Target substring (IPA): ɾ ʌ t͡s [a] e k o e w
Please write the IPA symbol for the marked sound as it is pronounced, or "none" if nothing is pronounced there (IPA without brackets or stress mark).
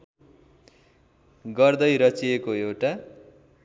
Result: i